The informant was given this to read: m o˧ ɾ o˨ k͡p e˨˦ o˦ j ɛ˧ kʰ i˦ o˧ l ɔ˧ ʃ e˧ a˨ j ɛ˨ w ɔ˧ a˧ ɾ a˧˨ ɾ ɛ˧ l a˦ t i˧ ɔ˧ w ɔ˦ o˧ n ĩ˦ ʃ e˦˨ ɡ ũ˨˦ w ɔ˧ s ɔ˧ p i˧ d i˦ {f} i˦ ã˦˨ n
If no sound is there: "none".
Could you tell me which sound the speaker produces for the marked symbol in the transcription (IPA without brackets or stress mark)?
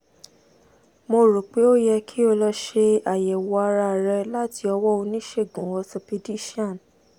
ʃ